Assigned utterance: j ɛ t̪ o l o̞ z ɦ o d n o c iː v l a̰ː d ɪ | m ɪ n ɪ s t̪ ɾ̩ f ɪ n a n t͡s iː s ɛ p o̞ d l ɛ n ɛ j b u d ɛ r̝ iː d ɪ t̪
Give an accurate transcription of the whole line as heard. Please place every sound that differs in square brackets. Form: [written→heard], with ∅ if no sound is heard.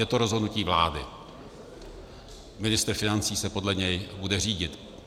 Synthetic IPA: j ɛ t̪ o [l→ɾ] o̞ z ɦ o d n [o→u] c iː v l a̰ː d ɪ | m ɪ n ɪ s t̪ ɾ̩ f ɪ n a n t͡s iː s ɛ p o̞ d l ɛ [n→ɲ] ɛ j b u d ɛ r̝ iː [d→ɟ] ɪ t̪